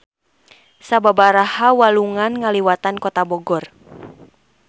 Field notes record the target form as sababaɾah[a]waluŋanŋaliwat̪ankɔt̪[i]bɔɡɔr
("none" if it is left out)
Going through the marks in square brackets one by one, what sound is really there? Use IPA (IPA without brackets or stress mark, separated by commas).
a, a